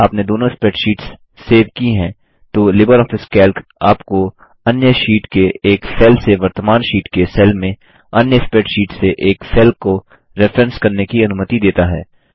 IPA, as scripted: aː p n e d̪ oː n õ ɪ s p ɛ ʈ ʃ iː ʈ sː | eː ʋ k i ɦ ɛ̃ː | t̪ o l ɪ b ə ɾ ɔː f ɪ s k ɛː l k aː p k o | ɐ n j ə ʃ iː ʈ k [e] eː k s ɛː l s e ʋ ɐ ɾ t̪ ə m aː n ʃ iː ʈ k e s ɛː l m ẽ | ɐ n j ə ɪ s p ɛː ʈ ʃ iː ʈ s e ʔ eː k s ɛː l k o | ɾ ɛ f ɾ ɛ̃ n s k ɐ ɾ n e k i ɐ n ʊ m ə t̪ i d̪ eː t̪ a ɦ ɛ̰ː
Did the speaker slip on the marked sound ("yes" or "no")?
no